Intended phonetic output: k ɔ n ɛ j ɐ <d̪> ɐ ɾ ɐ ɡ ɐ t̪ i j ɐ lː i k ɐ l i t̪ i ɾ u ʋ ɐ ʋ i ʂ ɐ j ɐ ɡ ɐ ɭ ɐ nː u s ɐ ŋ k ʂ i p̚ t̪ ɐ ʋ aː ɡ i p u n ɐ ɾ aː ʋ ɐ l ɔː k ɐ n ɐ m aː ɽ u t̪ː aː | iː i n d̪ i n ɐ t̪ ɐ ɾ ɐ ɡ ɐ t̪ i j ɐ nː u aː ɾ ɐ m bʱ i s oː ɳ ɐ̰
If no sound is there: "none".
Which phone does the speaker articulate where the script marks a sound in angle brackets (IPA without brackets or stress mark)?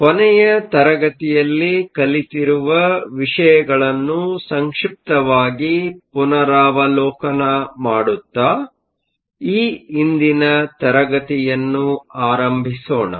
t̪